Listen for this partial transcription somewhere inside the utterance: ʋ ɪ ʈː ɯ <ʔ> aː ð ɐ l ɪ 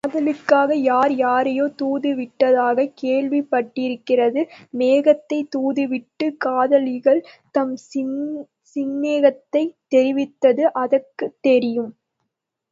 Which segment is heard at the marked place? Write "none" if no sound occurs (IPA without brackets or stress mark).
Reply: k